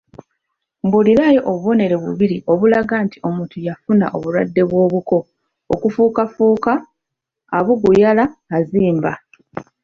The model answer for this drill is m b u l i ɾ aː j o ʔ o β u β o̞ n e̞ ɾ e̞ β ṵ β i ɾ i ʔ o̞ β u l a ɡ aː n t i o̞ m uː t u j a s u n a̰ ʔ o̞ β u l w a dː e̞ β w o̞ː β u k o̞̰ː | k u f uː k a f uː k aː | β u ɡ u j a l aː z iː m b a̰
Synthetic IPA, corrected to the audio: m b u l i ɾ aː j o ʔ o β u β o̞ n e̞ ɾ e̞ β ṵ β i ɾ i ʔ o̞ β u l a ɡ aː n t i o̞ m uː t u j a f u n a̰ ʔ o̞ β u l w a dː e̞ β w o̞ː β u k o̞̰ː | k u f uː k a f uː k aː | β u ɡ u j a l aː z iː m b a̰